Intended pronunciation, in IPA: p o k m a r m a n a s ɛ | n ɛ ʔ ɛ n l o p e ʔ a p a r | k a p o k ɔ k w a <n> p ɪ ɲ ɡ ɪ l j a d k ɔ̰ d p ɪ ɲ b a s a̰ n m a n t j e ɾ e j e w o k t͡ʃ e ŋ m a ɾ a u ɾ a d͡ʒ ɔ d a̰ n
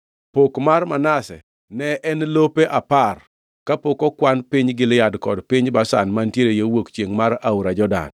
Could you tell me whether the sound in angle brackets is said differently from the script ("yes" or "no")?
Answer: no